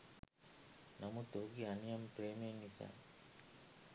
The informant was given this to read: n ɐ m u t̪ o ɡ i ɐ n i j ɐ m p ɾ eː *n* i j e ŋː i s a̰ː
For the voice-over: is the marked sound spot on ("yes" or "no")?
no